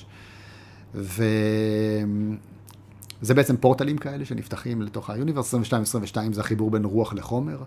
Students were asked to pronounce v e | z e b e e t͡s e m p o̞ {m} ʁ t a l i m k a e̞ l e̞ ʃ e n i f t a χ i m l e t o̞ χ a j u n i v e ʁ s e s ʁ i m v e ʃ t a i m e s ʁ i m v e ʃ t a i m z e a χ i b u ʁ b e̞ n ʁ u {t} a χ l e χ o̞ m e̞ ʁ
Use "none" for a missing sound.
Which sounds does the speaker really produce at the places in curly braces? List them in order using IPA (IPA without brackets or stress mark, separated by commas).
none, none